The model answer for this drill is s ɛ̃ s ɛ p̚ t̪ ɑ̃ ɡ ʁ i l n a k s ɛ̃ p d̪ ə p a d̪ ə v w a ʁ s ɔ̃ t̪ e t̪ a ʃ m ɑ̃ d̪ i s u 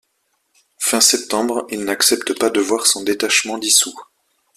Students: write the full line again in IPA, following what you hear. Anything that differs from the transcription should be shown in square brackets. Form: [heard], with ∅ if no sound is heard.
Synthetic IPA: [f] ɛ̃ s ɛ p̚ t̪ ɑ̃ [b] ʁ i l n a k s [ɛ] p [t̪] ə p a d̪ ə v w a ʁ s ɔ̃ [d̪] e t̪ a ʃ m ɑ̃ d̪ i s u